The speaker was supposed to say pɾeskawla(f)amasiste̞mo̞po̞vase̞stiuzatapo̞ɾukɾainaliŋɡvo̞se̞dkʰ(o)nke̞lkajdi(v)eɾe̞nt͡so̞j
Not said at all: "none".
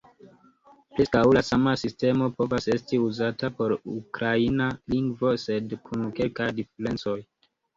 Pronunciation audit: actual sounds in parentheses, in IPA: s, u, f

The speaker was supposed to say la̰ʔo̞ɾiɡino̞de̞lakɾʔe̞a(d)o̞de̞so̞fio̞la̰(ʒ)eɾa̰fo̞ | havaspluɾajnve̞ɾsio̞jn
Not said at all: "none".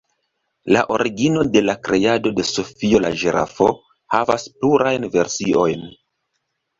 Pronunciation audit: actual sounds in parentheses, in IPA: d, ʒ

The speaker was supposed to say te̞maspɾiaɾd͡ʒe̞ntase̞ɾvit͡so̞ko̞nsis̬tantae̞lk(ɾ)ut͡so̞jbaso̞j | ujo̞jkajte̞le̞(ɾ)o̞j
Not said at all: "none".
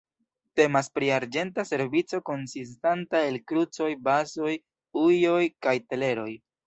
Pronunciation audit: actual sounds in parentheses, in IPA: ɾ, ɾ

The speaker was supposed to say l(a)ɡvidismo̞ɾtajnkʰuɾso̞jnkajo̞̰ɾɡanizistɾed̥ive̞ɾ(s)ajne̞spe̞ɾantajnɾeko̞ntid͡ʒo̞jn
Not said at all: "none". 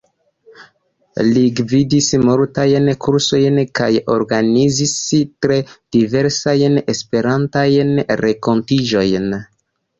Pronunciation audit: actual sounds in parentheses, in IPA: i, s

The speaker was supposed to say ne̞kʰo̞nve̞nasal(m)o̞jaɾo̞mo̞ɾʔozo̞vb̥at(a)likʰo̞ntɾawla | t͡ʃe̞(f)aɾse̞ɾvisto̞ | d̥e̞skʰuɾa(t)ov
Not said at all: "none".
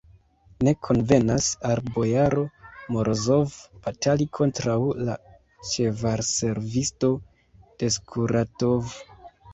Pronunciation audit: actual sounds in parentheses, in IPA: b, a, v, t

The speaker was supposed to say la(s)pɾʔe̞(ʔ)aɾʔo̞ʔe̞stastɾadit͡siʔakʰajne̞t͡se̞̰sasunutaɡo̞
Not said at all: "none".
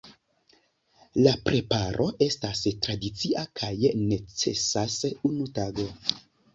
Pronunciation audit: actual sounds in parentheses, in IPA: none, p

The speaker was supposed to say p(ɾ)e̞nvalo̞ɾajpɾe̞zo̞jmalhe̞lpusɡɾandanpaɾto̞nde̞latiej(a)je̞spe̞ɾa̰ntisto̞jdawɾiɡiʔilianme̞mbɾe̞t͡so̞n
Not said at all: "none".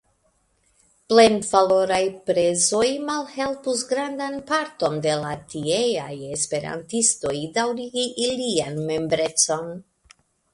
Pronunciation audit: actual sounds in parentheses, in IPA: l, a

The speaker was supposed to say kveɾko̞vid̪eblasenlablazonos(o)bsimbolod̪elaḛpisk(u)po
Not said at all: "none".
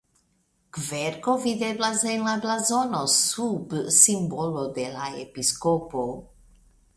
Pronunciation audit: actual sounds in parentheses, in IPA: u, o

